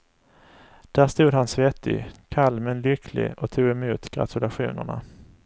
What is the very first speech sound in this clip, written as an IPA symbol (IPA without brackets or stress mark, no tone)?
d̪̥